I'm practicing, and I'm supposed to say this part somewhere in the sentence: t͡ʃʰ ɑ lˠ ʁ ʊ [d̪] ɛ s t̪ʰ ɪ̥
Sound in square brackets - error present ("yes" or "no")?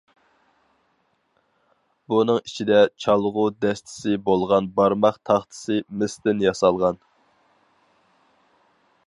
no